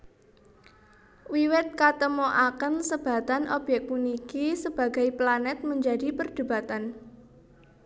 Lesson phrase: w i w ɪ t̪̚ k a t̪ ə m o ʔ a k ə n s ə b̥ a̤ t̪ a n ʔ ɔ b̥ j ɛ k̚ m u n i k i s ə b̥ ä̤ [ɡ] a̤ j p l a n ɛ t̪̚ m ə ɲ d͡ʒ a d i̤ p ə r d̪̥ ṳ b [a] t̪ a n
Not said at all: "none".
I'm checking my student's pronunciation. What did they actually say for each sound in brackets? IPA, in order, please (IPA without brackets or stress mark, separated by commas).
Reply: ɡ, a